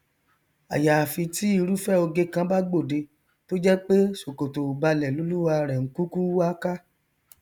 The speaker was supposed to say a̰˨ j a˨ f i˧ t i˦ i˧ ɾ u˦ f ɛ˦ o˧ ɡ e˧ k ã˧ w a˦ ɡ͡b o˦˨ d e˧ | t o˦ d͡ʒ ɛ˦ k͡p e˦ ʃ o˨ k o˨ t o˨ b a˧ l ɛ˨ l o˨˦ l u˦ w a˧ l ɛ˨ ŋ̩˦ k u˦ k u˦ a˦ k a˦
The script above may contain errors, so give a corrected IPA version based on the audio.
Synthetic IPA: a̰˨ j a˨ f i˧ t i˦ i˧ ɾ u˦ f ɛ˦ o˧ ɡ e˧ k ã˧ b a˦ ɡ͡b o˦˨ d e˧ | t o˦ d͡ʒ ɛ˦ k͡p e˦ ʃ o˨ k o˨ t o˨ b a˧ l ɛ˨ l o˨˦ l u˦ w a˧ ɾ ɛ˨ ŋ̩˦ k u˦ k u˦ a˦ k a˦